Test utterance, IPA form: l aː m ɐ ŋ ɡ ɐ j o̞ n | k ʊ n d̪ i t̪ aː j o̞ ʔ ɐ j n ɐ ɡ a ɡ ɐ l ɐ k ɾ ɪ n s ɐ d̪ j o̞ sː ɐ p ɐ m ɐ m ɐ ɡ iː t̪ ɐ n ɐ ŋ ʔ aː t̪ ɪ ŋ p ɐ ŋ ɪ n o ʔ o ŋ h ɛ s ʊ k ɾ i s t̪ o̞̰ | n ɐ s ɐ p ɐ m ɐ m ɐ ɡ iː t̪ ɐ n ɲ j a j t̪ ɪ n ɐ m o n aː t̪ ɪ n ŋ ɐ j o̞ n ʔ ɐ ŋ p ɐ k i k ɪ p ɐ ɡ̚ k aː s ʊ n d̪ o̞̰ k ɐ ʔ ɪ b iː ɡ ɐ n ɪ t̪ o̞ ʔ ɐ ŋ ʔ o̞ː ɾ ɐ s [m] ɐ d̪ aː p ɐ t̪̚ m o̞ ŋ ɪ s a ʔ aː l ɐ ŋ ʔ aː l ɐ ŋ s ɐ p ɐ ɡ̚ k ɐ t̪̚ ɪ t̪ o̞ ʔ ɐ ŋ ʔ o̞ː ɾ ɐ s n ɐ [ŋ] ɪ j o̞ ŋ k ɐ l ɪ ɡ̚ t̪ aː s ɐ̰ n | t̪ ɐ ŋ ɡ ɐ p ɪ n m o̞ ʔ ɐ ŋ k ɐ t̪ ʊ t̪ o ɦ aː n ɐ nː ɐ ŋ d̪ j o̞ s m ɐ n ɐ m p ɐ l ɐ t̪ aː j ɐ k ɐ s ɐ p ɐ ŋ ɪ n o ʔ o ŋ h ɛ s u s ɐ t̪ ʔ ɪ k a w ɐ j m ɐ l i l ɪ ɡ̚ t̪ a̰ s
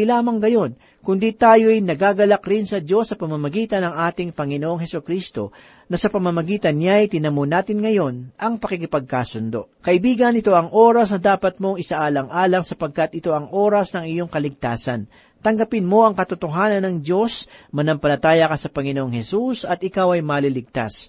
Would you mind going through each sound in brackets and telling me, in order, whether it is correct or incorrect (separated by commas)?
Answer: incorrect, correct